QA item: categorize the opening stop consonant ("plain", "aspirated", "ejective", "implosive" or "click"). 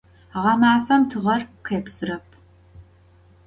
aspirated